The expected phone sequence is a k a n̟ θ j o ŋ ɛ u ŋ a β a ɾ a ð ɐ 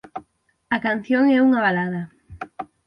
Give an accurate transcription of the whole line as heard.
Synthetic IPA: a k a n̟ θ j o ŋ ɛ u ŋ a β a l a ð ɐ